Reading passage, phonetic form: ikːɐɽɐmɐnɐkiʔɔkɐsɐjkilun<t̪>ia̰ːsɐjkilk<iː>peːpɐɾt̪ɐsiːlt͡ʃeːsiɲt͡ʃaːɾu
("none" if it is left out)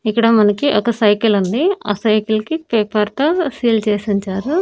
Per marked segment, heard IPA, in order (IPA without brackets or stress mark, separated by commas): d̪, i